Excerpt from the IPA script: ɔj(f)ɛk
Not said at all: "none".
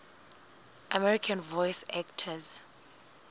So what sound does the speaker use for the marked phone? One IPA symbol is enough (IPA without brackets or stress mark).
s